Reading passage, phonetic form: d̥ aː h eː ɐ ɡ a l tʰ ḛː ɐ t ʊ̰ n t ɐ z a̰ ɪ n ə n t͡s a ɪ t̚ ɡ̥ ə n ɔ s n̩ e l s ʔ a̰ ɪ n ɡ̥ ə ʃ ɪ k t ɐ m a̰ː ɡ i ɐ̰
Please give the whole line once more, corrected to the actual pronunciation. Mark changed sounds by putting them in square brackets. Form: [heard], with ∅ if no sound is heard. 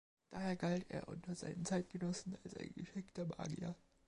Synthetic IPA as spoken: d̥ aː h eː ɐ ɡ a l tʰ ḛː ɐ [ʔ] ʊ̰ n t ɐ z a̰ ɪ n ə n t͡s a ɪ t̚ ɡ̥ ə n ɔ s n̩ [a] l s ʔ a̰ ɪ n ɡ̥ ə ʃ ɪ k t ɐ m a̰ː ɡ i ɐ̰

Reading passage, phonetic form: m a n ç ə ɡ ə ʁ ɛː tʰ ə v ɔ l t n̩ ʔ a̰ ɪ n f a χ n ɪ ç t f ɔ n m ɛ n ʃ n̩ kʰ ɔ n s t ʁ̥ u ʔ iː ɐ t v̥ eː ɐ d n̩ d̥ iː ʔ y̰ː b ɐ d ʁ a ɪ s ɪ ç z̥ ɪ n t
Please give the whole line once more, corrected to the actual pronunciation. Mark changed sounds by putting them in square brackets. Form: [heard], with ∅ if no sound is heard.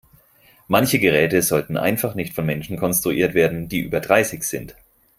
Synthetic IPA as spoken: m a n ç ə ɡ ə ʁ ɛː [t] ə [z] ɔ l t n̩ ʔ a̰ ɪ n f a χ n ɪ ç t f ɔ n m ɛ n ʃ n̩ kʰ ɔ n s t ʁ̥ u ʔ iː ɐ t v̥ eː ɐ d n̩ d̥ iː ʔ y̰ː b ɐ d ʁ a ɪ s ɪ ç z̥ ɪ n t

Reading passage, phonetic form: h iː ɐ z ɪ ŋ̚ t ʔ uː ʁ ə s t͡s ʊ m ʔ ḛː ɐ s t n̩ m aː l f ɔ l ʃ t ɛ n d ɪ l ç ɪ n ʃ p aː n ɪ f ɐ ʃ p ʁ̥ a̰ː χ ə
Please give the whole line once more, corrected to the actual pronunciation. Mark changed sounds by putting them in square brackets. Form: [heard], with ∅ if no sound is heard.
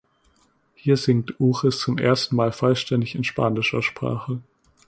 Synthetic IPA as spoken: h iː ɐ z ɪ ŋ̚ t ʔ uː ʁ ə s t͡s ʊ m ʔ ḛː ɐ s t n̩ m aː l f ɔ l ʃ t ɛ n d ɪ [∅] ç ɪ n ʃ p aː n ɪ [ʃ] ɐ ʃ p ʁ̥ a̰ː χ ə

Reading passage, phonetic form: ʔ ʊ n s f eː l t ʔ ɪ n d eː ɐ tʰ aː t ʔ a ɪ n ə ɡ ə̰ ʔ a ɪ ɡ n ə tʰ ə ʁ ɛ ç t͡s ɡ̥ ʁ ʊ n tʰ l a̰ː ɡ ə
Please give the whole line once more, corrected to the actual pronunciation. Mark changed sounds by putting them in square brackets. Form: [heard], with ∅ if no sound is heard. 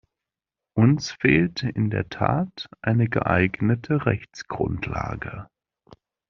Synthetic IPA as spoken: ʔ ʊ n s f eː l t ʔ ɪ n d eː ɐ tʰ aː t ʔ a ɪ n ə ɡ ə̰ ʔ a ɪ ɡ n ə tʰ ə ʁ ɛ ç t͡s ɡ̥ ʁ ʊ n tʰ l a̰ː ɡ ə

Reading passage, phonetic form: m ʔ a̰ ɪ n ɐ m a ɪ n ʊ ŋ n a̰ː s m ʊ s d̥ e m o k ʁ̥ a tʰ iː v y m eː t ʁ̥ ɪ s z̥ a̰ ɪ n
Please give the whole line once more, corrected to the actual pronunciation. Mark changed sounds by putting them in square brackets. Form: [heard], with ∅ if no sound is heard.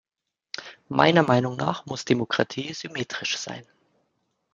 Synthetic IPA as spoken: m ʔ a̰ ɪ n ɐ m a ɪ n ʊ ŋ n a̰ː [χ] m ʊ s d̥ e m o k ʁ̥ a tʰ iː [z] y m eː t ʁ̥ ɪ [ʃ] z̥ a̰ ɪ n

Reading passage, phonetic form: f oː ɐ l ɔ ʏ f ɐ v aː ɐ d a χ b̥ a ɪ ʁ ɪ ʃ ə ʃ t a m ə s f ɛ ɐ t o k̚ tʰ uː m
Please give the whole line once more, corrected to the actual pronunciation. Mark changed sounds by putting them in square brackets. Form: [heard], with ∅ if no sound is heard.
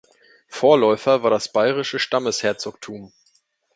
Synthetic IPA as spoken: f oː ɐ l ɔ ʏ f ɐ v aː ɐ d a [s] b̥ a ɪ ʁ ɪ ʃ ə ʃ t a m ə s [h] ɛ ɐ [t͡s] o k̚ tʰ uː m

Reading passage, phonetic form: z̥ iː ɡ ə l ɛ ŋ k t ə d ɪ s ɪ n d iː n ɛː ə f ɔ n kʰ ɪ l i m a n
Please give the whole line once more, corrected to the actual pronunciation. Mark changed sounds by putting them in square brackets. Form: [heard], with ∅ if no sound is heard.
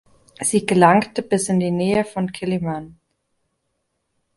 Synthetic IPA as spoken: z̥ iː ɡ ə l [a] ŋ k t ə [b] ɪ s ɪ n d iː n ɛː ə f ɔ n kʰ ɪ l i m a n

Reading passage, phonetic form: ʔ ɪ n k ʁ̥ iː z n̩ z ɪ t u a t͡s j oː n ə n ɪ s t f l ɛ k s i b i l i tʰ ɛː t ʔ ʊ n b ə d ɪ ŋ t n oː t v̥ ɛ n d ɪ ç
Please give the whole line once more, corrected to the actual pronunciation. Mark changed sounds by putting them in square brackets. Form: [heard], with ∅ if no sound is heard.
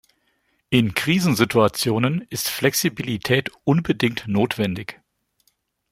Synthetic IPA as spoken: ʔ ɪ n k ʁ̥ iː z n̩ z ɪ t u a t͡s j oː n ə n ɪ s t f l ɛ k s i b i l i tʰ ɛː t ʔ ʊ n b ə d ɪ ŋ t n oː t v̥ ɛ n d ɪ ç

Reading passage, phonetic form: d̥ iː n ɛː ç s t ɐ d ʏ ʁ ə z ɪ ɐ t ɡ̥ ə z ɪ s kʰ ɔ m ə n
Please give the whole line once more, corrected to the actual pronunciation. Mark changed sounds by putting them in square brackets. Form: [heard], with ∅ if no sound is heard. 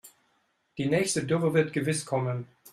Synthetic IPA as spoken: d̥ iː n ɛː ç s t [ə] d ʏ ʁ ə [v] ɪ ɐ t ɡ̥ ə [v] ɪ s kʰ ɔ m ə n

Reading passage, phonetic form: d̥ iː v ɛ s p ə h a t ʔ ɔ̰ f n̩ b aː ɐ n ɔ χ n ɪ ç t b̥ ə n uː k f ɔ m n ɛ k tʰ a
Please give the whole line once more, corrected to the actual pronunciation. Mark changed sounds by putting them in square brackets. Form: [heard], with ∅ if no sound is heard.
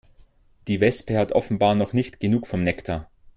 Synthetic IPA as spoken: d̥ iː v ɛ s p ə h a t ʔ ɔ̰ f n̩ b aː ɐ n ɔ χ n ɪ ç t [ɡ̥] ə n uː k f ɔ m n ɛ k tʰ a

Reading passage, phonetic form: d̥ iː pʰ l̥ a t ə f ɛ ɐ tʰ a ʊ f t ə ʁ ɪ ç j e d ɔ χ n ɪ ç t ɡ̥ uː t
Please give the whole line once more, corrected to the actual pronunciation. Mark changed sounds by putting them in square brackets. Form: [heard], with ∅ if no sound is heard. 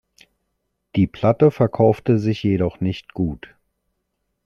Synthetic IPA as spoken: d̥ iː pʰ l̥ a t ə f ɛ ɐ [kʰ] a ʊ f t ə [z] ɪ ç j e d ɔ χ n ɪ ç t ɡ̥ uː t

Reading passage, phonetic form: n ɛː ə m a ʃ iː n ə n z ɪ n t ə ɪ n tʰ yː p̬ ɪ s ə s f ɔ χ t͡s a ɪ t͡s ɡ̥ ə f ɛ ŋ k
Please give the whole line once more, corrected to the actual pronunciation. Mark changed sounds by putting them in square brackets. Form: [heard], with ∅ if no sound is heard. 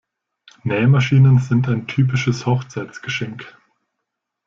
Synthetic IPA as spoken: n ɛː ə m a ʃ iː n ə n z ɪ n t [a] ɪ n tʰ yː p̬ ɪ [ʃ] ə s [h] ɔ χ t͡s a ɪ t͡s ɡ̥ ə [ʃ] ɛ ŋ k

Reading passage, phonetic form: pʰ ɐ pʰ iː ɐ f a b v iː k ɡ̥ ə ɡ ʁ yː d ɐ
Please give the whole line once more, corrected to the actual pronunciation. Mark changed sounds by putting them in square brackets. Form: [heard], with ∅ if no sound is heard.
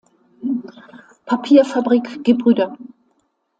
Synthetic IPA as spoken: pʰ [a] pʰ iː ɐ f a b [ʁ] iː k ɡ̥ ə [b] ʁ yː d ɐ

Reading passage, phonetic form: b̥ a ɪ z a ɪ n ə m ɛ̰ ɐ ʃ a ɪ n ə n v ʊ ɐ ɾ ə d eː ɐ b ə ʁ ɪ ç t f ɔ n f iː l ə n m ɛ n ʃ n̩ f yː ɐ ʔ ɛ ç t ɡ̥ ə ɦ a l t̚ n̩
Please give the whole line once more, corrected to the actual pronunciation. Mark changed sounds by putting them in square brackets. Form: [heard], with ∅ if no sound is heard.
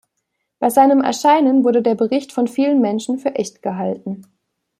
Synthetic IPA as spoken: b̥ a ɪ z a ɪ n ə m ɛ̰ ɐ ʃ a ɪ n ə n v ʊ ɐ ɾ ə d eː ɐ b ə ʁ ɪ ç t f ɔ n f iː l ə n m ɛ n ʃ n̩ f yː ɐ ʔ ɛ ç t ɡ̥ ə ɦ a l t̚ n̩

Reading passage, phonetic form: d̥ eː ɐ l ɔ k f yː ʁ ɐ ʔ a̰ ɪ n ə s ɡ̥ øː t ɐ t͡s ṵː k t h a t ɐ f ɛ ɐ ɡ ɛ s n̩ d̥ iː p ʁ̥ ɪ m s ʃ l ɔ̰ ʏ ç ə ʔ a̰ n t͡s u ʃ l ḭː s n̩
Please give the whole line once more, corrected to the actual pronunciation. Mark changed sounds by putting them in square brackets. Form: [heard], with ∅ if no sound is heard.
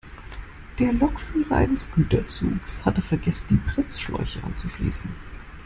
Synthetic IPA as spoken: d̥ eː ɐ l ɔ k f yː ʁ ɐ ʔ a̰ ɪ n ə s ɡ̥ [yː] t ɐ t͡s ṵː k [s] h a t [ə] f ɛ ɐ ɡ ɛ s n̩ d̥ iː p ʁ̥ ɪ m s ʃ l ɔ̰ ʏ ç ə ʔ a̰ n t͡s u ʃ l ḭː s n̩

